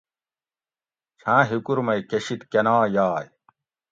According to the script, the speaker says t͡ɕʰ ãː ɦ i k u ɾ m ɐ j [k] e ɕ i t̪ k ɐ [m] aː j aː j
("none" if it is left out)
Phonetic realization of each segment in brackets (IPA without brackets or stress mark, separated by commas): k, n